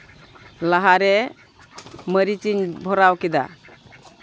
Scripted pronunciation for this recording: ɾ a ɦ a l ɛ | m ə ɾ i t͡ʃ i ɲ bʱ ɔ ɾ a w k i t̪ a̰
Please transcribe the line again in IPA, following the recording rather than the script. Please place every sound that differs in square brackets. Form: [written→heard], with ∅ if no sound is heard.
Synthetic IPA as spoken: [ɾ→l] a ɦ a [l→ɾ] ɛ | m ə ɾ i t͡ʃ i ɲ bʱ ɔ ɾ a w k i [t̪→d̪] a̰